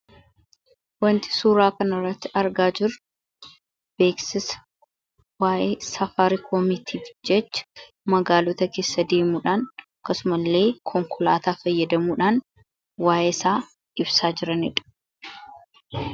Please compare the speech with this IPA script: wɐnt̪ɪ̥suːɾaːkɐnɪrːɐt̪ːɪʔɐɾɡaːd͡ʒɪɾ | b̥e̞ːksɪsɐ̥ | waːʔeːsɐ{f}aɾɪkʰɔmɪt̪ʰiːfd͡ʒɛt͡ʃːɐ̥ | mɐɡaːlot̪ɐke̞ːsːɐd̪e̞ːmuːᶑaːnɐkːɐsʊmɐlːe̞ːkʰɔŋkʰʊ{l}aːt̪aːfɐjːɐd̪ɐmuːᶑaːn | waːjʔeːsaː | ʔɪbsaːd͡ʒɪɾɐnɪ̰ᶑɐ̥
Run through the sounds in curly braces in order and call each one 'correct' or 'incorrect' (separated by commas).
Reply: correct, correct